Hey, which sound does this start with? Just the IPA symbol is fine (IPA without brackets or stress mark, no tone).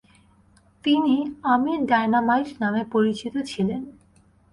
t̪